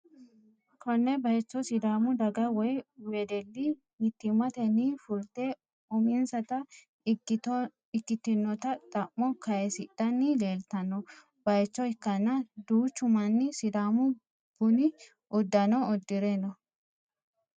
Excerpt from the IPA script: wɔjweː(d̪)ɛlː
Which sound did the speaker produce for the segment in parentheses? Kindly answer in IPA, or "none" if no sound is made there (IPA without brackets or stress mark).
d̪